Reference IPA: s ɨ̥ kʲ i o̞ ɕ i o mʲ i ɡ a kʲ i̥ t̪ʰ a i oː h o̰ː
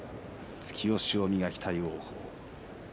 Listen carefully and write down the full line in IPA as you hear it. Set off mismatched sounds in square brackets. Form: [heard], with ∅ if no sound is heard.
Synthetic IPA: [t͡s] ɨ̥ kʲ i o̞ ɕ i o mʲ i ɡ a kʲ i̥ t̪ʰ a i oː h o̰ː